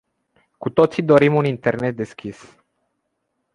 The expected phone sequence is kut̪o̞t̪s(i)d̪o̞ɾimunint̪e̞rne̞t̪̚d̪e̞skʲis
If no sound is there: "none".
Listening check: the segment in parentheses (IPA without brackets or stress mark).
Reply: i